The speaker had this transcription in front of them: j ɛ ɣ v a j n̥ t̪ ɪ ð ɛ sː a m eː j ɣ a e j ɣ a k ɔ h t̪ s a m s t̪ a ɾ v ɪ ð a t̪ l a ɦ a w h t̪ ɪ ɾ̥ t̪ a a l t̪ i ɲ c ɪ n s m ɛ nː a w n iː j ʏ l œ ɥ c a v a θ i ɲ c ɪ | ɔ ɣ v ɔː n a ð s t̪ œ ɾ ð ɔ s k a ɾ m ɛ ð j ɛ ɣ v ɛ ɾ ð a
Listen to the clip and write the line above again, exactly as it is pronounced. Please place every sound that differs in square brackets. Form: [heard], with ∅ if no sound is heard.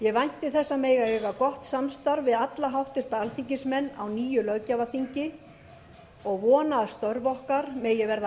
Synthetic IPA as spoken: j ɛ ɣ v a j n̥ t̪ ɪ [θ] ɛ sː a m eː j ɣ a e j ɣ a k ɔ h t̪ s a m s t̪ a ɾ v ɪ ð a t̪ l a ɦ a w h t̪ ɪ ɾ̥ t̪ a a l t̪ i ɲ c ɪ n s m ɛ nː a w n iː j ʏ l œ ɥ c a v a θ i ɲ c ɪ | ɔ ɣ v ɔː n a ð s t̪ œ ɾ [v] ɔ [h] k a ɾ m ɛ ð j ɛ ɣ v ɛ ɾ ð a